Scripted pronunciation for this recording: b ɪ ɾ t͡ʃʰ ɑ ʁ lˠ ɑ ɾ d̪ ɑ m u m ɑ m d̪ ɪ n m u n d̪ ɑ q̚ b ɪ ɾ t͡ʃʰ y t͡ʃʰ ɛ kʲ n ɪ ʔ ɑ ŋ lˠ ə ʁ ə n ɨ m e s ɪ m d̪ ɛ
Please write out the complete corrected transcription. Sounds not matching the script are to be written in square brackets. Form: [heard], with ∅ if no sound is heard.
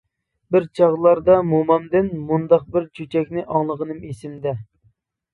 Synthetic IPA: b ɪ ɾ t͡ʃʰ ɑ ʁ lˠ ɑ ɾ d̪ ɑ m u m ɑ m d̪ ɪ n m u n d̪ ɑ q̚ b ɪ ɾ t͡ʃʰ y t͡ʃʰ ɛ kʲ n ɪ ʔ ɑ ŋ lˠ ə ʁ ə n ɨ m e s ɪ m d̪ ɛ